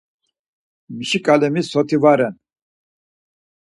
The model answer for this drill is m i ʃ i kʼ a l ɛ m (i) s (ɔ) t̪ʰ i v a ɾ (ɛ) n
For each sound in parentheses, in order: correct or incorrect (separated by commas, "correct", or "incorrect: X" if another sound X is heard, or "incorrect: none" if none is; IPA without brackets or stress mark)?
correct, correct, correct